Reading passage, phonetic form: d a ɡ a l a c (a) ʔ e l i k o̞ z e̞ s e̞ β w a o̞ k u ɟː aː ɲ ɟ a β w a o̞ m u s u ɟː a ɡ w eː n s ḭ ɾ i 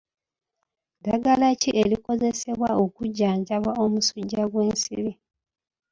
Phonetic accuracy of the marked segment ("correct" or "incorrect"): incorrect